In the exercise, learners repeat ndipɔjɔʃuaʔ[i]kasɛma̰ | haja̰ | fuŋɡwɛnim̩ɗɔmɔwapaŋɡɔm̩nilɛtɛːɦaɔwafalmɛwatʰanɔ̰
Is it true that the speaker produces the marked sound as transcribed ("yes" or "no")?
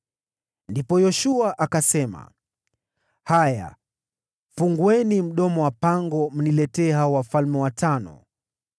no